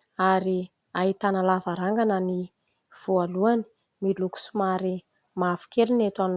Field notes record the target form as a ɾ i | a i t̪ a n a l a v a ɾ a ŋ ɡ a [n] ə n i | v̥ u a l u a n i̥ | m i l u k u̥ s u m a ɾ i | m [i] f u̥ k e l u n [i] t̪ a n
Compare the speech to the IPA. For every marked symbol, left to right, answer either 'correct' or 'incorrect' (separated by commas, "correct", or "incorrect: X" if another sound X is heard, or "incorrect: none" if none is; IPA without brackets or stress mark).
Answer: correct, incorrect: a, incorrect: e